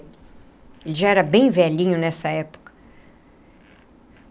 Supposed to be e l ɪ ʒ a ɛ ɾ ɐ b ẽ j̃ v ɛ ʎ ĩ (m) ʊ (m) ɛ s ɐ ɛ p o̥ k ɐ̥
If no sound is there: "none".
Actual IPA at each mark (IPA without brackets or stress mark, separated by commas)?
ɲ, n